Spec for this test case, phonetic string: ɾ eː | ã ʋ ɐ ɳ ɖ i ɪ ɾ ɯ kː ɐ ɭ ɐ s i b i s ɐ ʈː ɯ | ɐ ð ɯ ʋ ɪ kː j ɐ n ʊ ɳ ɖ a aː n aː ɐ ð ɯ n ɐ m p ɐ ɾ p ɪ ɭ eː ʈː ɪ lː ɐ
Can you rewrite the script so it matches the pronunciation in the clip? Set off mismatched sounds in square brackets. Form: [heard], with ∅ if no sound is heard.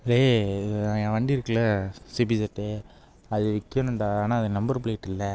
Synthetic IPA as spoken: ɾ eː | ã ʋ ɐ ɳ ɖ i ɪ ɾ ɯ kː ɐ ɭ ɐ s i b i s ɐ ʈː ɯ | ɐ ð ɯ ʋ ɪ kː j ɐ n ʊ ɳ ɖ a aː n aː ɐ ð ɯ n ɐ m [b] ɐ ɾ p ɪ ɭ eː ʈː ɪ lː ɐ